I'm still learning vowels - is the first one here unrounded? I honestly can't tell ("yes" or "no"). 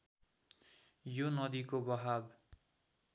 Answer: no